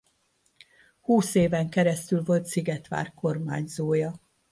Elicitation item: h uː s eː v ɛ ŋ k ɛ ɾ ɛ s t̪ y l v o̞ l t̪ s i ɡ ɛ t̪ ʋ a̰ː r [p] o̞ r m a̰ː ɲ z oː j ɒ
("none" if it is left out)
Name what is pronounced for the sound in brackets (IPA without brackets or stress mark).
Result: k